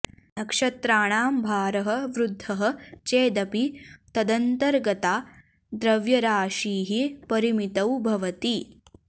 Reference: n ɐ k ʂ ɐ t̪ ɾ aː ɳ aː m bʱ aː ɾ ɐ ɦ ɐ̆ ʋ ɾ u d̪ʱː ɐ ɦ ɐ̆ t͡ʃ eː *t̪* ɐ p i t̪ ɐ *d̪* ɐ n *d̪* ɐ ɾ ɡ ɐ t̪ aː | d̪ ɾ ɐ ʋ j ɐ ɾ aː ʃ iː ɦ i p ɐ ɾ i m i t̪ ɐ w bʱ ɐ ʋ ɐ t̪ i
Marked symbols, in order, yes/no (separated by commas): no, yes, no